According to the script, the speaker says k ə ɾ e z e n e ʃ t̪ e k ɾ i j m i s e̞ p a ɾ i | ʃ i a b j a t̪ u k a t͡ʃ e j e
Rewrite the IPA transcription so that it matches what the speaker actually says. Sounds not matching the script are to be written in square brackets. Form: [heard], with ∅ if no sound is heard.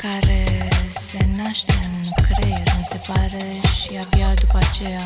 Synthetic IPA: k [a] ɾ e [s] e n [a] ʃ t̪ e k ɾ [e] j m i s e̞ p a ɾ [e] | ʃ i a b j a [d̪] u [p] a t͡ʃ e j [a]